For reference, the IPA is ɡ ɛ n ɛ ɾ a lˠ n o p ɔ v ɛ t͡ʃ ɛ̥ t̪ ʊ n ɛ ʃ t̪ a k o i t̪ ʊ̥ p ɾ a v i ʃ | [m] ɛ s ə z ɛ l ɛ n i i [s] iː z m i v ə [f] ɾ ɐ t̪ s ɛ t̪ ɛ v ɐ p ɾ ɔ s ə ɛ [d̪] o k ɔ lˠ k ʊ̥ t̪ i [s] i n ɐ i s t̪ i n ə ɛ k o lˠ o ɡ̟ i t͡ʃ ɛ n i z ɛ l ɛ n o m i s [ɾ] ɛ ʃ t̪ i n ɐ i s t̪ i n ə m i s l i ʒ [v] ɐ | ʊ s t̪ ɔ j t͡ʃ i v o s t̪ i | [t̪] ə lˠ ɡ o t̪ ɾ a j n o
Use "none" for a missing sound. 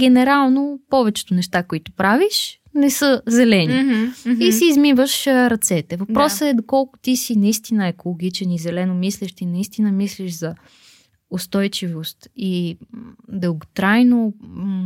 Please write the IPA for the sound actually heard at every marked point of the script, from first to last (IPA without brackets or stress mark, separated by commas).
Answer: n, s, ʃ, d̪, s, l, z, d̪